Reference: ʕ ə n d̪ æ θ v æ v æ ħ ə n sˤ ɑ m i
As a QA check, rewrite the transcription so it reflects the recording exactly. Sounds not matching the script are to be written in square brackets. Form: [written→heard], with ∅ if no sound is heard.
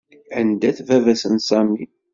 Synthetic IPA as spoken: ʕ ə n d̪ æ θ v æ v æ [ħ→s] ə n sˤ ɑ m i